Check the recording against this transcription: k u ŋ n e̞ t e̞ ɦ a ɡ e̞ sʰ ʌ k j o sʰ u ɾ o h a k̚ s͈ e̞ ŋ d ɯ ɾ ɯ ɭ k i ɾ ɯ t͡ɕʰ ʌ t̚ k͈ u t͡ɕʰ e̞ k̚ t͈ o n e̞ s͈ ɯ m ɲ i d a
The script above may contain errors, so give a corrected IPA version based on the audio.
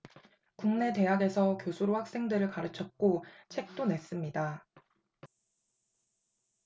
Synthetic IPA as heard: k u ŋ n e̞ t e̞ ɦ a ɡ e̞ sʰ ʌ k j o sʰ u ɾ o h a k̚ s͈ e̞ ŋ d ɯ ɾ ɯ ɭ k a ɾ ɯ t͡ɕʰ ʌ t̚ k͈ o t͡ɕʰ e̞ k̚ t͈ o n e̞ s͈ ɯ m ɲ i d a